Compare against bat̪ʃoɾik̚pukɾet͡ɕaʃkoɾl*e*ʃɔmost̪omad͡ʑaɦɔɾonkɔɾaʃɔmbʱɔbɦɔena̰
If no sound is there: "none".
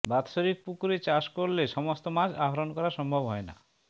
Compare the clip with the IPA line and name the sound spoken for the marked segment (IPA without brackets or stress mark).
e